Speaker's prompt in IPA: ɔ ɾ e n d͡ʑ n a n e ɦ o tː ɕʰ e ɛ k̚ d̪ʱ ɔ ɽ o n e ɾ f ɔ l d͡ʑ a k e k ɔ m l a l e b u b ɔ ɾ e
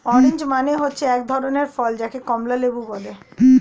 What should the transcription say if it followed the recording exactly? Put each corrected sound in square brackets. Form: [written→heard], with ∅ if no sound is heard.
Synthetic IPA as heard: ɔ ɾ e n d͡ʑ [n→m] a n e ɦ o tː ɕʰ e ɛ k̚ d̪ʱ ɔ [ɽ→ɾ] o n e ɾ f ɔ l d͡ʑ a k e k ɔ m l a l e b u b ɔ [ɾ→l] e